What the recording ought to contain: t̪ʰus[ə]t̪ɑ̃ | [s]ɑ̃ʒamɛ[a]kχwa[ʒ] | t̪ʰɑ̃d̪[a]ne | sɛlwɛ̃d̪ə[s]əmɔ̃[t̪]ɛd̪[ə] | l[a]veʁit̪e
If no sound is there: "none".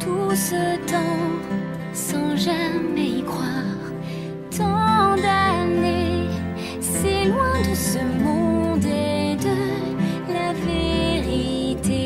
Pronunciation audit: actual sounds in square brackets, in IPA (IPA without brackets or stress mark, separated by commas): ə, s, i, ʁ, a, s, d̪, ə, a